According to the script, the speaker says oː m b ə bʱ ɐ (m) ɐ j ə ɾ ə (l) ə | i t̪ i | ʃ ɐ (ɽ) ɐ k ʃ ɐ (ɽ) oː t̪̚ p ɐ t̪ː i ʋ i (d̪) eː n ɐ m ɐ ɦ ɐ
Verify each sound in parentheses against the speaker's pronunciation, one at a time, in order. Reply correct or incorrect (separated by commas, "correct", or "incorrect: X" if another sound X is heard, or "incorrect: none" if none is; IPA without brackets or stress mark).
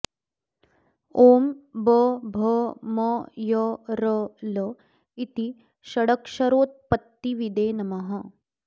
correct, correct, correct, incorrect: ɾ, correct